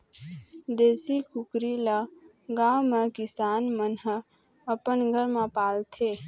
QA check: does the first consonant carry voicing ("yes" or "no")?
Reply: yes